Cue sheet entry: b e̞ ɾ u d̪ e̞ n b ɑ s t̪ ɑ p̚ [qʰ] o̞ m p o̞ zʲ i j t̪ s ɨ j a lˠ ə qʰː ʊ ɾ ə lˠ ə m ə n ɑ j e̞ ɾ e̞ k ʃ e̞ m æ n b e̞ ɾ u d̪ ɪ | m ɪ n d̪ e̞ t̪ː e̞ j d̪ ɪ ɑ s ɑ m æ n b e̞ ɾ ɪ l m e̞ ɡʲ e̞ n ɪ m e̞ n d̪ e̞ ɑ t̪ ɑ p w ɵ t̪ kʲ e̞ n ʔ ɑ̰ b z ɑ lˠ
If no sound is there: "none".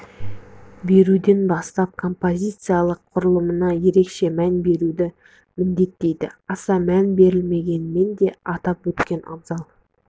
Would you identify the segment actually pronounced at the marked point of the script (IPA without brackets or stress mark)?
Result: kʰ